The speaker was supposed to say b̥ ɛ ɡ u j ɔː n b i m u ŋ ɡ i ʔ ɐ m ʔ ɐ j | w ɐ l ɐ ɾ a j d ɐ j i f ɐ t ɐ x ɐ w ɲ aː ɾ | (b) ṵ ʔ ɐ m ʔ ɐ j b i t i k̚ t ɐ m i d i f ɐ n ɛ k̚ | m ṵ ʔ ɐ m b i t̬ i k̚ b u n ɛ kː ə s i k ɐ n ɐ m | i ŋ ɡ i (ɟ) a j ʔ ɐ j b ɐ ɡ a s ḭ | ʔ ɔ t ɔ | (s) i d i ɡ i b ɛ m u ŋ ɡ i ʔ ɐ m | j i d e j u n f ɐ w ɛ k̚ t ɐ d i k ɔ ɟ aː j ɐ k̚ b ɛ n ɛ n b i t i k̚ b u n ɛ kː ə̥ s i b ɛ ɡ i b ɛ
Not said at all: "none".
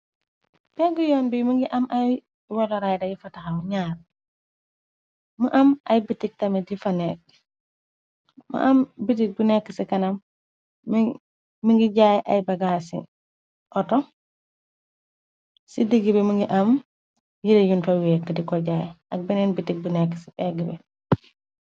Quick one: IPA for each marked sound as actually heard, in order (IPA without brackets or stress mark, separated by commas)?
m, ɟ, s